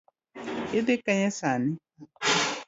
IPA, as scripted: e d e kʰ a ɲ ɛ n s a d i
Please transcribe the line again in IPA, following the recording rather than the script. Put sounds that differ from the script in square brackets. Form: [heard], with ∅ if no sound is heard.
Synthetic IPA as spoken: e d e [k] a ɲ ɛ [∅] s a [n] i